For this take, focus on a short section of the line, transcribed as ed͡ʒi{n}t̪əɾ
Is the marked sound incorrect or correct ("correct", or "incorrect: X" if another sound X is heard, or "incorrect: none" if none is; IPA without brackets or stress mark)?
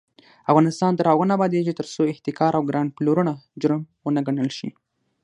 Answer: incorrect: none